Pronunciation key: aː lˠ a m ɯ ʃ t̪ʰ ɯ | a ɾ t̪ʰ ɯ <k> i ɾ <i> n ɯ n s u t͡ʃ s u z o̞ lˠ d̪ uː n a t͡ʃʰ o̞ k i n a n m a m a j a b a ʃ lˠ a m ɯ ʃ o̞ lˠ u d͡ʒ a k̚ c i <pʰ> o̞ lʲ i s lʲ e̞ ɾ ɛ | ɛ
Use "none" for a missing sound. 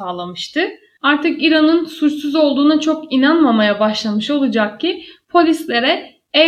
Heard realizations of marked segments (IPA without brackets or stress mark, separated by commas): k, a, pʰ